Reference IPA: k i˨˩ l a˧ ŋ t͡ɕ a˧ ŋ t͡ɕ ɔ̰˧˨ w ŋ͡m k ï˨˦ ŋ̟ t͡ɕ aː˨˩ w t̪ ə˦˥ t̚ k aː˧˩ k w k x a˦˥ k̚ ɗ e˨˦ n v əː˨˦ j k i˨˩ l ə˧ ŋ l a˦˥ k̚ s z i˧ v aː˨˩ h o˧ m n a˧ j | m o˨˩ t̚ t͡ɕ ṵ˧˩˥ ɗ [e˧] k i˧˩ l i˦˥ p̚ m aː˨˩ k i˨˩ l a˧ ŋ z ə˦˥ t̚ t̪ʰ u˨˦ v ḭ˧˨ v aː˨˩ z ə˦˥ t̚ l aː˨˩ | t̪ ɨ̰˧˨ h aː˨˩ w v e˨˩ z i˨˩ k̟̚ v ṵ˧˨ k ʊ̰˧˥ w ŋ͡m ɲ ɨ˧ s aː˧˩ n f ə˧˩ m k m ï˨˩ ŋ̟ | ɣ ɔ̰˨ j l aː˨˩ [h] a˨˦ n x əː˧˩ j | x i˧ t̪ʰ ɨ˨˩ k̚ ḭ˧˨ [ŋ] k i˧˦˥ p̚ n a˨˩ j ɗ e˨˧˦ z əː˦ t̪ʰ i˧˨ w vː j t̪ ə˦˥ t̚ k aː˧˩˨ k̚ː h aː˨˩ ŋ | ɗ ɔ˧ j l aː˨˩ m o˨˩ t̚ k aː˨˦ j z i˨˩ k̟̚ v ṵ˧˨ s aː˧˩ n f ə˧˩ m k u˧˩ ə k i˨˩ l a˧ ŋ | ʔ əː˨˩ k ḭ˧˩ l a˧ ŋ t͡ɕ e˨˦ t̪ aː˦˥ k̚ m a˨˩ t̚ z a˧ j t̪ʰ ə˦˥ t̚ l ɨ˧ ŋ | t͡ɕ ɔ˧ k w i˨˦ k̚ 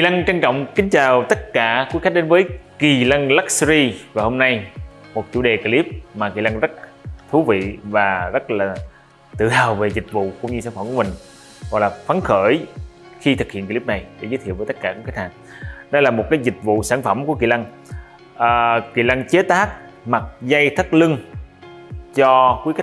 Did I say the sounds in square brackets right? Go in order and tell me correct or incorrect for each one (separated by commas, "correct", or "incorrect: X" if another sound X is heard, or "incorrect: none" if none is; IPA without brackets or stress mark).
incorrect: e˨˩, incorrect: f, incorrect: n